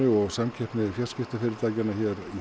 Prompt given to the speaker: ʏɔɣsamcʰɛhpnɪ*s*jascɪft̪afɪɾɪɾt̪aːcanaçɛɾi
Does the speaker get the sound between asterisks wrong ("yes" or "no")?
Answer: yes